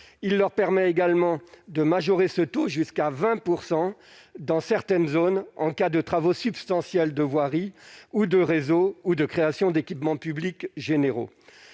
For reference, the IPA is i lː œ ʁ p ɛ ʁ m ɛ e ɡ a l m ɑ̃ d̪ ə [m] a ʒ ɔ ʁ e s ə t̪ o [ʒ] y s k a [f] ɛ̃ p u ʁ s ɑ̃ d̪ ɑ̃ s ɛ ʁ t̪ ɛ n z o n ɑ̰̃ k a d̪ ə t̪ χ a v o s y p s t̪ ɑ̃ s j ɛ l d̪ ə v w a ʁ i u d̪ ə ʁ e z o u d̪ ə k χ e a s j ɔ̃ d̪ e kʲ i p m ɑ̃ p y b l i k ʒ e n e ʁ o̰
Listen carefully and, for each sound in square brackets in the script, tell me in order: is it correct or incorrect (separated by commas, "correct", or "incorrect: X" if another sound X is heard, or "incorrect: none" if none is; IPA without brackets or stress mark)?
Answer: correct, correct, incorrect: v